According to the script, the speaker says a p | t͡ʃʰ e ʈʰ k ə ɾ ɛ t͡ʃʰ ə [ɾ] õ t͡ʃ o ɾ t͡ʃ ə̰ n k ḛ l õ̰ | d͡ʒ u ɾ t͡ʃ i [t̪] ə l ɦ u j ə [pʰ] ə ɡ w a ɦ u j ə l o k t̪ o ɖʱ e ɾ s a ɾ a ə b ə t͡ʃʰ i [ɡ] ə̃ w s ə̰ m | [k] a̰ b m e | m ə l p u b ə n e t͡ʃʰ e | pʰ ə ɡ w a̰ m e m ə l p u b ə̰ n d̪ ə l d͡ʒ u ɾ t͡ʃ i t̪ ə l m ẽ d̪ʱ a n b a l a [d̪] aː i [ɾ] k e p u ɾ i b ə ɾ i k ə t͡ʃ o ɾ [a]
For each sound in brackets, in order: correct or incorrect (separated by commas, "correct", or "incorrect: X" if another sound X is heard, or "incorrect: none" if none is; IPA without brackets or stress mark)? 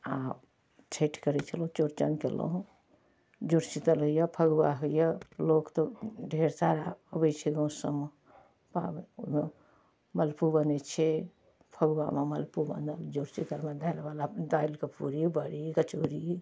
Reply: incorrect: l, correct, correct, correct, incorrect: p, correct, incorrect: l, incorrect: i